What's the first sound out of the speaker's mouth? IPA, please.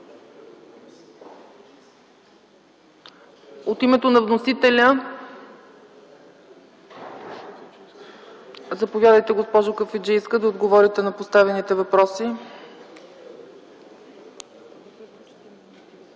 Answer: o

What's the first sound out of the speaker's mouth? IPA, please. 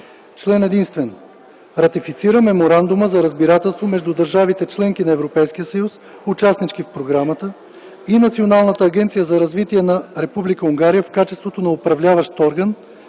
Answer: t͡ʃ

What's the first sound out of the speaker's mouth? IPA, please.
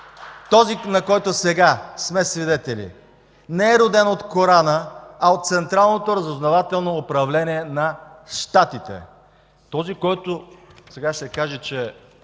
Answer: t̪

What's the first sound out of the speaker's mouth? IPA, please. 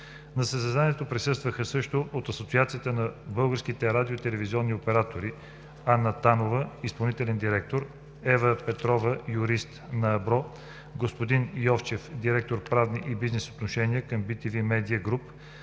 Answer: n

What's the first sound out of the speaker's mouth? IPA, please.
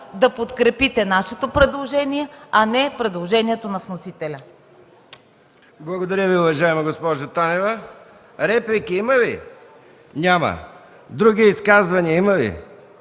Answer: d̪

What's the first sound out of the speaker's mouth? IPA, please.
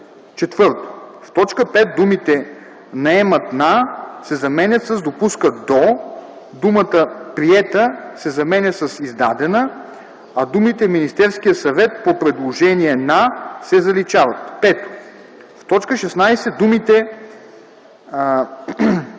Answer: t͡ʃ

